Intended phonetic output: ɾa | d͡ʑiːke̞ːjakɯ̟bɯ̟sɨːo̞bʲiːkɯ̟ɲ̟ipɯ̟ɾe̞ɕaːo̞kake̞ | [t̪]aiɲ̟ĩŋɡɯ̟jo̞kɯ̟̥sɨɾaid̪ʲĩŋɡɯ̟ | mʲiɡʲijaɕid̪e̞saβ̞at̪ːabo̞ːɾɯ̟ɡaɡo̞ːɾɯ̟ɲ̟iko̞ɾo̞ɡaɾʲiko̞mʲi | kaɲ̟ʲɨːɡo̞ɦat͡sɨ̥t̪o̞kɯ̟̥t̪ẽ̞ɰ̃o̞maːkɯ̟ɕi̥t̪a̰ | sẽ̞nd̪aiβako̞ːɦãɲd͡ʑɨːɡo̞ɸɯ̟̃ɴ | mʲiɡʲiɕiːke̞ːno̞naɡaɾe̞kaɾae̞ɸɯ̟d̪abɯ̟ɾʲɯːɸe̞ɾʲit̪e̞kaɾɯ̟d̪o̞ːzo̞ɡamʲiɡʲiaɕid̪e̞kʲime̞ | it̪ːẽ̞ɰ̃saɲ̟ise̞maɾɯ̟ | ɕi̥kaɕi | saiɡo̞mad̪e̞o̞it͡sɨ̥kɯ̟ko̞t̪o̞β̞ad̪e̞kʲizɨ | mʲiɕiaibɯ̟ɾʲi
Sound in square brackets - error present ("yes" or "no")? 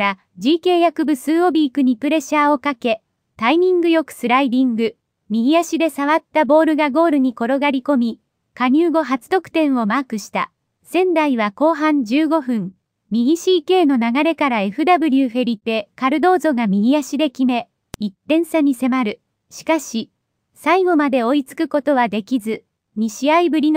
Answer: no